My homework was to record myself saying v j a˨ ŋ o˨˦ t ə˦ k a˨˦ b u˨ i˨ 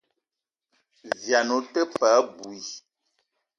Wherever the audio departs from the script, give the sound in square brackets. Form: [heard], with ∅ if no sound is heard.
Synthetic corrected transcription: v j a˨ [n] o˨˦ t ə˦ [p] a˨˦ b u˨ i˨